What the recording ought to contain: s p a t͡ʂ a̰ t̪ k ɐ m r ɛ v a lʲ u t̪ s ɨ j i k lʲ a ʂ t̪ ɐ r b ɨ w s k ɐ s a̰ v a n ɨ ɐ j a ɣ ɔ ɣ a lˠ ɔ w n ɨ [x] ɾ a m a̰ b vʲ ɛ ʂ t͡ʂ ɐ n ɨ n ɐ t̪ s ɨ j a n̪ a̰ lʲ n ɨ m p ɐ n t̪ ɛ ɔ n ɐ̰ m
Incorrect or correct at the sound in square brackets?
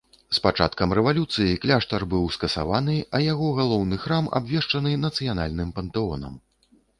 correct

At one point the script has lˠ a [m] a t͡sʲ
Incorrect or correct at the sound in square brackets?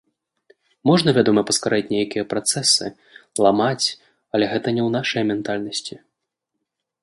correct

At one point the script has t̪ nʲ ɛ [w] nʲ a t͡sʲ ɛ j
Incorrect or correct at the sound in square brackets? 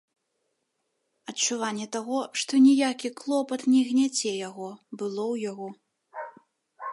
incorrect: ɣ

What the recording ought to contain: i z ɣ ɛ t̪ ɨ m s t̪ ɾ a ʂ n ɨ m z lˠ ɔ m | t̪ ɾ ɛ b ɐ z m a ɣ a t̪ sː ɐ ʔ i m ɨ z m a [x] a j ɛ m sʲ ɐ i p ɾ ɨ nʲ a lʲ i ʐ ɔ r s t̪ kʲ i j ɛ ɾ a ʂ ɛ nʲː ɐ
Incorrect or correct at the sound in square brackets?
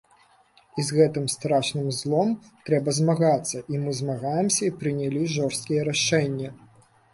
incorrect: ɣ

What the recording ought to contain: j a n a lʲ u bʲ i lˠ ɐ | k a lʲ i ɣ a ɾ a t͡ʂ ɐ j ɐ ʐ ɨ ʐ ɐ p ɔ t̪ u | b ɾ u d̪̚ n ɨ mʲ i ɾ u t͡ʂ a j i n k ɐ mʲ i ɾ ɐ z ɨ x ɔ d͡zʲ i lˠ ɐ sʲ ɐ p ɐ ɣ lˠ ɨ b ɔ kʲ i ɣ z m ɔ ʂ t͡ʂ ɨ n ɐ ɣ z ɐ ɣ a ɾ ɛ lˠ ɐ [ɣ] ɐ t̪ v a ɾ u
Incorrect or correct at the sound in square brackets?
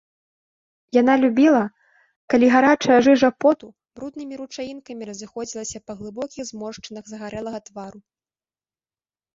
correct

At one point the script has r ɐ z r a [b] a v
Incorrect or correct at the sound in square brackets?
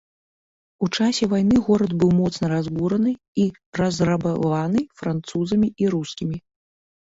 correct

